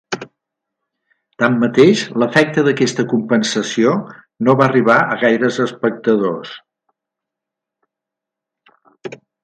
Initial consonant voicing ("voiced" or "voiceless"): voiceless